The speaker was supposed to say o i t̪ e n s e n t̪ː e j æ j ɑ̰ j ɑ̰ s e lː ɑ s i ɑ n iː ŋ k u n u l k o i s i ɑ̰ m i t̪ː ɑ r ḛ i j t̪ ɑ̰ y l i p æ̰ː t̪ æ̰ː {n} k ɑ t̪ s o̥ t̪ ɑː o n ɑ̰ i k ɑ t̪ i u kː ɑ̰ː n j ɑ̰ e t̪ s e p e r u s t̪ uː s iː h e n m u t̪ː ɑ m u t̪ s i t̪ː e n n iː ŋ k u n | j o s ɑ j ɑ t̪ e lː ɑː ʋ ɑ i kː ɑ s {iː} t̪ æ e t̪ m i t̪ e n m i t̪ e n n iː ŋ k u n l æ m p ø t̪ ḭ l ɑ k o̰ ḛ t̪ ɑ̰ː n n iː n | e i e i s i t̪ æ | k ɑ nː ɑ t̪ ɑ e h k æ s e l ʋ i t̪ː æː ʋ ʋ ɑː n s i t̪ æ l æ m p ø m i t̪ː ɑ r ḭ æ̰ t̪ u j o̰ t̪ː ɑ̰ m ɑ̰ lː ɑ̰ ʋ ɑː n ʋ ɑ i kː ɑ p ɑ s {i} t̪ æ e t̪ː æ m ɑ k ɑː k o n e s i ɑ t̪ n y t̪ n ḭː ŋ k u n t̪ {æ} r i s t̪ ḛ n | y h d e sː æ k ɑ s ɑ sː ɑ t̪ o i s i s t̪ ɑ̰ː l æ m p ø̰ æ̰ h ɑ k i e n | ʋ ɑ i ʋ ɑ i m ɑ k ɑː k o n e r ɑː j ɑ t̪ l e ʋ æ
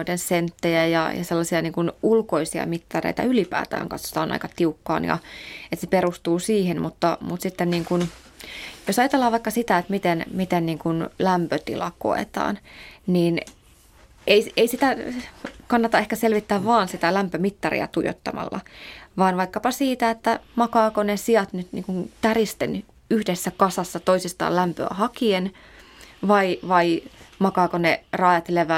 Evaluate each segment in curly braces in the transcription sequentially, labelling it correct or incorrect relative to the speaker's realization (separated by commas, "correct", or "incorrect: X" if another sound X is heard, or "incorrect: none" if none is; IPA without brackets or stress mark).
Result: incorrect: ŋ, incorrect: i, incorrect: iː, correct